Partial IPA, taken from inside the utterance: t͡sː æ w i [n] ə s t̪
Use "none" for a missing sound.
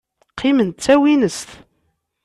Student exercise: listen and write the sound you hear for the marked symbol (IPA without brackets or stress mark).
n